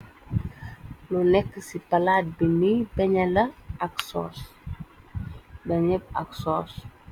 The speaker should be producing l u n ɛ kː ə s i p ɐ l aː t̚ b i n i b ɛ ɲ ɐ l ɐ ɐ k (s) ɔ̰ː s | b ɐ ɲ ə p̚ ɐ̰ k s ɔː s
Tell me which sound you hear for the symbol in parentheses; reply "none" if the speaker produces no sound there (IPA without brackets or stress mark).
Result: s